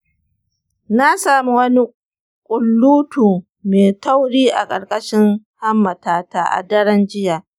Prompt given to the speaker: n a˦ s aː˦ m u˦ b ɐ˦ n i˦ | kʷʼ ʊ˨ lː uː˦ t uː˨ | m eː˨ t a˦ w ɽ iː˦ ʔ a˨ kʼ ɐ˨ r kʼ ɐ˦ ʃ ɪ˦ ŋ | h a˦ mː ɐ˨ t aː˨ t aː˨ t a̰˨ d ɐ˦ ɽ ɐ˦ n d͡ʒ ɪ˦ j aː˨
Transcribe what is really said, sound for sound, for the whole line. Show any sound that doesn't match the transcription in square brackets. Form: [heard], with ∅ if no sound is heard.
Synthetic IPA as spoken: n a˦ s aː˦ m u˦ [w] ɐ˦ n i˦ | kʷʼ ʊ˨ lː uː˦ t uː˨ | m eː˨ t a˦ w ɽ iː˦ ʔ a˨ kʼ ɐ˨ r kʼ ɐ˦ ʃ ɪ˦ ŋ | h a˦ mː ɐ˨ t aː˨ t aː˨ [ʔ] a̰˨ d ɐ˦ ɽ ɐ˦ n d͡ʒ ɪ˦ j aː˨